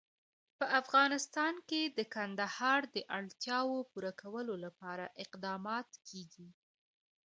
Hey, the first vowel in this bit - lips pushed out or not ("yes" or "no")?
no